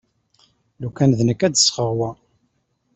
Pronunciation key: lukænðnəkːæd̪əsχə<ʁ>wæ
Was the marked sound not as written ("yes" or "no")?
no